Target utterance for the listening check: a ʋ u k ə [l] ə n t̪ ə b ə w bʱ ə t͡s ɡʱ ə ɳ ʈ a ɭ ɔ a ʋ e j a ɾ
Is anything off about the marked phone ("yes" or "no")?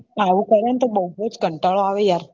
yes